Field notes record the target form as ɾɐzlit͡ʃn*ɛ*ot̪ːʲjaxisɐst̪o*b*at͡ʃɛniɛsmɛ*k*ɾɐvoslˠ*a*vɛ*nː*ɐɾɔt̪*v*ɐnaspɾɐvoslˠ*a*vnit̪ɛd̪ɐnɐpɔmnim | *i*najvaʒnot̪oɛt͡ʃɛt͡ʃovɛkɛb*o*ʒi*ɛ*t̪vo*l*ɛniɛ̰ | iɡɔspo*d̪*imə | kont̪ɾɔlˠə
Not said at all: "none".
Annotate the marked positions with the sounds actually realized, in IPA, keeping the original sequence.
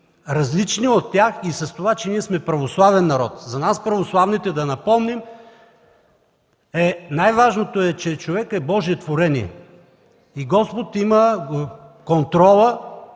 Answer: i, v, p, a, nː, z, a, ɛ, ɔ, ɛ, ɾ, t̪

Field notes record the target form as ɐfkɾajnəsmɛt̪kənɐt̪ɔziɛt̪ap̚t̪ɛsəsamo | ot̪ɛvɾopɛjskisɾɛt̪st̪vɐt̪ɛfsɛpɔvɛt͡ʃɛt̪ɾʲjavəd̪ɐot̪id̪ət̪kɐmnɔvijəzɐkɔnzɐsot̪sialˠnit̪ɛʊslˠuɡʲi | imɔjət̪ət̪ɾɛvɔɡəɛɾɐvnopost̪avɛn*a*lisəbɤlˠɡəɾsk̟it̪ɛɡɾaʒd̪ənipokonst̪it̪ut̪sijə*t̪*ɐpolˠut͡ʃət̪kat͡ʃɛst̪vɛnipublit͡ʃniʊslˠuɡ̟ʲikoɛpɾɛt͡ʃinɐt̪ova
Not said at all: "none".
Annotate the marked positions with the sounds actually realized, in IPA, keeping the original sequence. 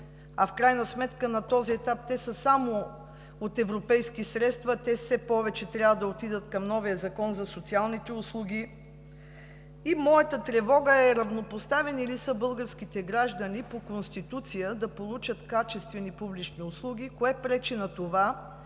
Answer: i, d̪

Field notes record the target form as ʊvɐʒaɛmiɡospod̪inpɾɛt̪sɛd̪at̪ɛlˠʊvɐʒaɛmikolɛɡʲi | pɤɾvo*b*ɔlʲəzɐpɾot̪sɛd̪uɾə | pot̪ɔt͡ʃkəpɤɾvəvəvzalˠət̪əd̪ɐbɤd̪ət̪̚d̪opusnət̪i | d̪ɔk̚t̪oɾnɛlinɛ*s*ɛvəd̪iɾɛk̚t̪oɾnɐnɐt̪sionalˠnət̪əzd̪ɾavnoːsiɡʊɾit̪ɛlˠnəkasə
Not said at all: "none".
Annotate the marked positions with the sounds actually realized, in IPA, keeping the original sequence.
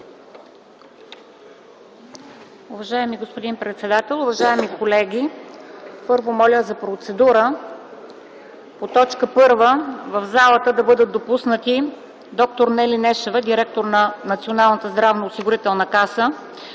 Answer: m, ʃ

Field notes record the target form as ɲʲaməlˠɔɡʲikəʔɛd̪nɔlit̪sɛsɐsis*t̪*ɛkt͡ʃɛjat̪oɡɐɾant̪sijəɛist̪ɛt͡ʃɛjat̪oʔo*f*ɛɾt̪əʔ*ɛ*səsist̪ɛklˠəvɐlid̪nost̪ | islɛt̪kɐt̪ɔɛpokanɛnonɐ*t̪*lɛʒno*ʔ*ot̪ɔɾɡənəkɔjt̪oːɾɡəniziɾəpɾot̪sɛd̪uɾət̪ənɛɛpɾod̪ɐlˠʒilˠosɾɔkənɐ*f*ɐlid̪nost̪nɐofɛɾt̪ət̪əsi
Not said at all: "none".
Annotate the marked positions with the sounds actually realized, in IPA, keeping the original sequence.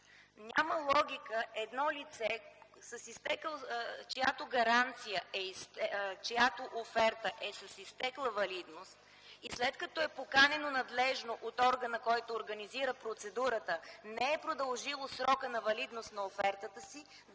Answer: t̪, f, ɛ, d̪, ʔ, v

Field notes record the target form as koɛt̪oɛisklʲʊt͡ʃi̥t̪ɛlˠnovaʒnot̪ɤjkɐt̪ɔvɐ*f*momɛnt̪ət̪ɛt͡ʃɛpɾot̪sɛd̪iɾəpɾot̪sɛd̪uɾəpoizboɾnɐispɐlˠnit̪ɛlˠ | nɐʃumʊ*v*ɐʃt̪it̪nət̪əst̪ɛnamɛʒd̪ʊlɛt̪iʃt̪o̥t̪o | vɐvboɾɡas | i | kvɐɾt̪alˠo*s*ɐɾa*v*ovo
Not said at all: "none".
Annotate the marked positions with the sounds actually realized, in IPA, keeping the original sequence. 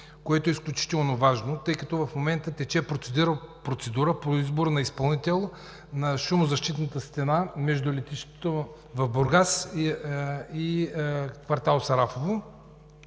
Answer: f, z, s, f

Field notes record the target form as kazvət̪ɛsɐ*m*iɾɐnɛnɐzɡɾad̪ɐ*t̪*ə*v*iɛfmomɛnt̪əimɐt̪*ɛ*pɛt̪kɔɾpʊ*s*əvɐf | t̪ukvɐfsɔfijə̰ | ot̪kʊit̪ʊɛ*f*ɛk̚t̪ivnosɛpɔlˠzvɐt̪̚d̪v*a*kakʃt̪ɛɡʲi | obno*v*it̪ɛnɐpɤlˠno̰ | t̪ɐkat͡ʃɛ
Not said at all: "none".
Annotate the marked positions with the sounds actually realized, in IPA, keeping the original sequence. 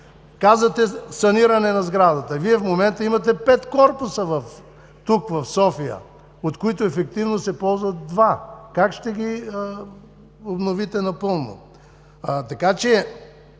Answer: n, t̪, v, ɛ, s, f, a, v

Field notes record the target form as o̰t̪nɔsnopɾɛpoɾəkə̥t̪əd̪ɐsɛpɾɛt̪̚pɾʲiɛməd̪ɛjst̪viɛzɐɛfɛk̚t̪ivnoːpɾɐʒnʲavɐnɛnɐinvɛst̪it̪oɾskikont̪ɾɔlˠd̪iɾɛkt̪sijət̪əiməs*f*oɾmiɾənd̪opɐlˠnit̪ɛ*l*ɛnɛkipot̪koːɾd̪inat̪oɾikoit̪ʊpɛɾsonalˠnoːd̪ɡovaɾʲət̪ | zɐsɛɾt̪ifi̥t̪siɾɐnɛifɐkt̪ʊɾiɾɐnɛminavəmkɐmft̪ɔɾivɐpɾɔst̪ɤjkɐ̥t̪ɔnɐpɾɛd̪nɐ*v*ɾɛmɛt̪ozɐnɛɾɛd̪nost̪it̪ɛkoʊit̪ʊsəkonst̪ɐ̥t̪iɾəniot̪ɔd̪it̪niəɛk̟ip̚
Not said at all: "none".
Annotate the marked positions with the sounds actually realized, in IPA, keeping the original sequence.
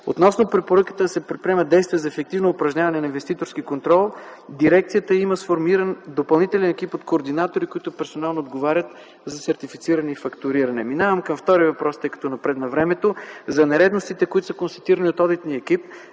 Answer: f, l, v

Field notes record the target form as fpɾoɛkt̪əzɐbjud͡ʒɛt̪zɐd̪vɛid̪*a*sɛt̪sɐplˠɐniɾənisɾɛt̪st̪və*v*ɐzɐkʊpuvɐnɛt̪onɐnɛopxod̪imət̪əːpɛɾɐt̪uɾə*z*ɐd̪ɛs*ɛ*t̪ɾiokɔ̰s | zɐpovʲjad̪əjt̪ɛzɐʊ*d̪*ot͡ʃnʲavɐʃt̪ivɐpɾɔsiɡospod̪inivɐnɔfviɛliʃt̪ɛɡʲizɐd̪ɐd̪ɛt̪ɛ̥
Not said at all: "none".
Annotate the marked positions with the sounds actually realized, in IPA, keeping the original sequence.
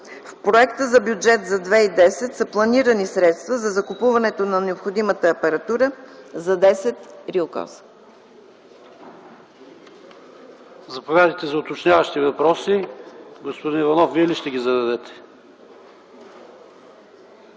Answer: ɛ, z, z, ɛ, t̪

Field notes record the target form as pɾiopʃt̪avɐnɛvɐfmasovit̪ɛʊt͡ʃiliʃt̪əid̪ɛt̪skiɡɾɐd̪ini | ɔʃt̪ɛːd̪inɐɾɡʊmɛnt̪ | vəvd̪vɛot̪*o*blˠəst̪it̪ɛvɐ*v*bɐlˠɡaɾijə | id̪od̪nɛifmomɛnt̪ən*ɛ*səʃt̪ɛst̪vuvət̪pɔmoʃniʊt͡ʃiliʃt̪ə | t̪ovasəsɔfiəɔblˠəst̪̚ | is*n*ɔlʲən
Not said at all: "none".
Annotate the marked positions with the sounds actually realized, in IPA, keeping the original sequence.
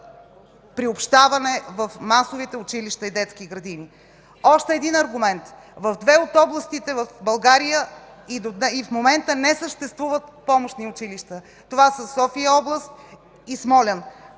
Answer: ɔ, f, ɛ, m

